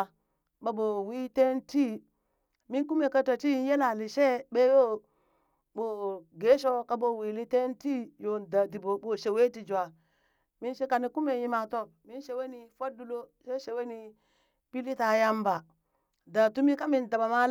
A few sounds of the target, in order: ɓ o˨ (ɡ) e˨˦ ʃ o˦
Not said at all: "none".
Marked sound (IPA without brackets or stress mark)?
ɡ